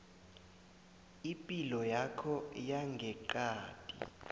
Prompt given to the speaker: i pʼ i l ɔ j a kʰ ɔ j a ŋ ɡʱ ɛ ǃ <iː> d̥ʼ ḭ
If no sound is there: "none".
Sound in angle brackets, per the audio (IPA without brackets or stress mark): aː